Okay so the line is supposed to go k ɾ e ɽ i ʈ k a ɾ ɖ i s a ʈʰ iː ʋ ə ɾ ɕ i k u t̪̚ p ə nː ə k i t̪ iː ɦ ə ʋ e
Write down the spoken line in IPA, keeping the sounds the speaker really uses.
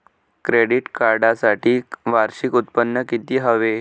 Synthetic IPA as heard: k ɾ e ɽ i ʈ k a ɾ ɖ a s a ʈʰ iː ʋ a ɾ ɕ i k u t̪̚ p ə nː ə k i t̪ iː ɦ ə ʋ e